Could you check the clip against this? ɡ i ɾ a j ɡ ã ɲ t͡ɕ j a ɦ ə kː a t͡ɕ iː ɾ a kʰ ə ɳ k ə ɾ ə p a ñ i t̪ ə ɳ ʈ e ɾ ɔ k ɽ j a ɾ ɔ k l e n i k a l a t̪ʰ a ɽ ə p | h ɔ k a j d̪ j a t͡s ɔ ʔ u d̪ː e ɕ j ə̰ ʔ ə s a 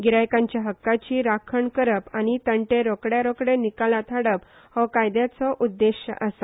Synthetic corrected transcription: ɡ i ɾ a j k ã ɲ t͡ɕ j a ɦ ə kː a t͡ɕ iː ɾ a kʰ ə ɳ k ə ɾ ə p a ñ i t̪ ə ɳ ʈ e ɾ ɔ k ɽ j a ɾ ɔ k ɽ e n i k a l a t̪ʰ a ɽ ə p | h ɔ k a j d̪ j a t͡s ɔ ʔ u d̪ː e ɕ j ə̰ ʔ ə s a